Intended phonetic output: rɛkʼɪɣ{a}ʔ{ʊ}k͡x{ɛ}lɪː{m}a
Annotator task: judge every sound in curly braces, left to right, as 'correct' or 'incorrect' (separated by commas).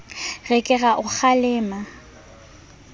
correct, correct, incorrect, correct